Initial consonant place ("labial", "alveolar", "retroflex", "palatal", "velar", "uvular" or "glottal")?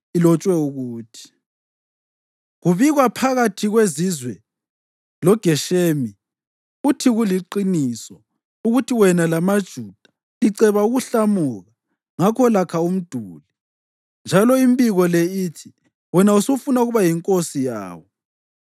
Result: alveolar